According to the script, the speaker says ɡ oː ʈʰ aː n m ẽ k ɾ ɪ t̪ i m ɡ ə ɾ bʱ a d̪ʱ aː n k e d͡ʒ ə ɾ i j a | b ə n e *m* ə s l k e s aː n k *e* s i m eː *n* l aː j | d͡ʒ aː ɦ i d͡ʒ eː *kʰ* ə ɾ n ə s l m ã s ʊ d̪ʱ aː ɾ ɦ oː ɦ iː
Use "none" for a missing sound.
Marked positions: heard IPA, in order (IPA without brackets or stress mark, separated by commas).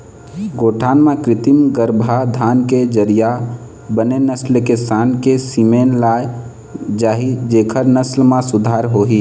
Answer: n, e, n, kʰ